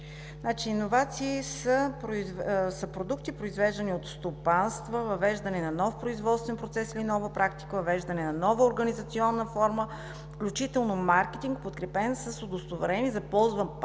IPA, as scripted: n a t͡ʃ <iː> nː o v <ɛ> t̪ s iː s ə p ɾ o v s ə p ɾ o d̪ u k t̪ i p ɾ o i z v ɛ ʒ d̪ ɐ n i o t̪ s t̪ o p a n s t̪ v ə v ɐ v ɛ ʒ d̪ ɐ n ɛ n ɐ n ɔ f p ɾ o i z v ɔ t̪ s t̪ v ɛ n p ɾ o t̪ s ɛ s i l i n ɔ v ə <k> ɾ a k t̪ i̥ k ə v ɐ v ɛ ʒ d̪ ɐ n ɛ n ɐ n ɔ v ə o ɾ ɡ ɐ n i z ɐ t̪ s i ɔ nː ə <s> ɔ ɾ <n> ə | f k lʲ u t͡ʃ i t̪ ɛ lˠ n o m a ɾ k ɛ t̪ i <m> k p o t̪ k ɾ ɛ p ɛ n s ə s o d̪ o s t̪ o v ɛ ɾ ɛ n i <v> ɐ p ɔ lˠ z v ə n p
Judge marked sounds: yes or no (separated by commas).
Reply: yes, no, no, no, no, no, no